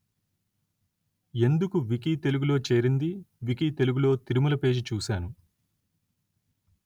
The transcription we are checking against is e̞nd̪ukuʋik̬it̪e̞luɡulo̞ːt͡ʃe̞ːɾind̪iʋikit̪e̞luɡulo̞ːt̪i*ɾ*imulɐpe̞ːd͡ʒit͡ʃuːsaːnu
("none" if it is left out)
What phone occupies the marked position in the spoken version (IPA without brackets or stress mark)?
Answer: ɾ